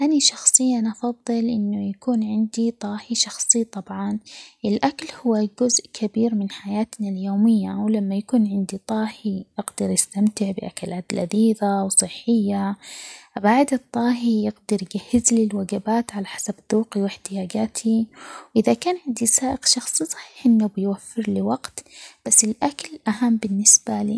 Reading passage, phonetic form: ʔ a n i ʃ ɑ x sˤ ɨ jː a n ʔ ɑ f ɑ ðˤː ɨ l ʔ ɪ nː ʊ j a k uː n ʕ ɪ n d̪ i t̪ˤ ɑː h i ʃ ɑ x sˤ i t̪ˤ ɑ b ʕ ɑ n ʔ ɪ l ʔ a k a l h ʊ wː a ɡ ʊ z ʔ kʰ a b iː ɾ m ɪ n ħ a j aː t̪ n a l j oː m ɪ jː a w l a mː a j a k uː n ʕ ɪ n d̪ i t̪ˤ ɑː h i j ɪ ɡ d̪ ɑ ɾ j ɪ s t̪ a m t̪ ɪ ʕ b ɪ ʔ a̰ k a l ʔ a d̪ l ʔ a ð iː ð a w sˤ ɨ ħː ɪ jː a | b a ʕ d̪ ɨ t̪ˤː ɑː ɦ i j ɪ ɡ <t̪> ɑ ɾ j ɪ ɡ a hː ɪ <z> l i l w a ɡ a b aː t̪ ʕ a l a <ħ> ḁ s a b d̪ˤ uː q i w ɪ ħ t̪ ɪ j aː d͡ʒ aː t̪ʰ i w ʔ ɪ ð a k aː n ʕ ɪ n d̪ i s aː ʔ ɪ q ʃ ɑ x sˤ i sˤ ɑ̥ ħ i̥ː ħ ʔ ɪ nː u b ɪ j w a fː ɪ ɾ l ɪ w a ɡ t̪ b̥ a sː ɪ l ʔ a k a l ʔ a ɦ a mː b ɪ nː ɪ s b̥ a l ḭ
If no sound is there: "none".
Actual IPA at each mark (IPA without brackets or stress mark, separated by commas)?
d̪, z, ħ